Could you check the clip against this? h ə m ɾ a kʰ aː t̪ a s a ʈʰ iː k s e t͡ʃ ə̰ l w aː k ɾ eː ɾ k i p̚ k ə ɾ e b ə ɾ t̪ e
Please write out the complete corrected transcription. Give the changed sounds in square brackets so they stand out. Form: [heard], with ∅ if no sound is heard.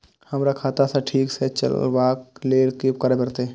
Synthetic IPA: h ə m ɾ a kʰ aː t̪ a s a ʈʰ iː k s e t͡ʃ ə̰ l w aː k [l] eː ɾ k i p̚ k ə ɾ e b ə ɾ t̪ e